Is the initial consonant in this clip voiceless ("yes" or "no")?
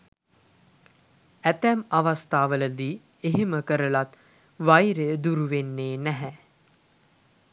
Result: yes